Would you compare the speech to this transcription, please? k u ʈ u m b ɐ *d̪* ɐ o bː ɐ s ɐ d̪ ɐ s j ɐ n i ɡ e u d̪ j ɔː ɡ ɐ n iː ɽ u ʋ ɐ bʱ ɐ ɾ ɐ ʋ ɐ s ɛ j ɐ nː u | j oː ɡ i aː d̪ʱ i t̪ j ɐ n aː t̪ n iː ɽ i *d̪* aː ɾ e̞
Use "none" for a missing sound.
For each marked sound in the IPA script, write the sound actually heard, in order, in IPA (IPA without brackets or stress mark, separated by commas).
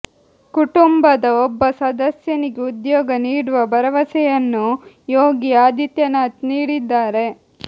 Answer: d̪, d̪ː